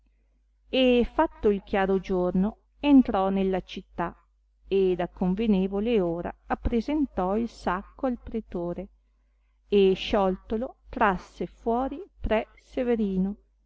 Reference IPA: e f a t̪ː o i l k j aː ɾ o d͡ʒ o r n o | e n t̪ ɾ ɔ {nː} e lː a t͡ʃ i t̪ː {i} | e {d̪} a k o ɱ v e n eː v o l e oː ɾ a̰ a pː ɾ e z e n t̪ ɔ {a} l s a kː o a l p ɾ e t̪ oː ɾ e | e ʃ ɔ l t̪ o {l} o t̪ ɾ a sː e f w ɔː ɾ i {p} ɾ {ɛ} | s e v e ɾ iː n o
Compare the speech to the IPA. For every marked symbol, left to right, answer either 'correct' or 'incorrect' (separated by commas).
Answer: incorrect, incorrect, correct, incorrect, correct, correct, correct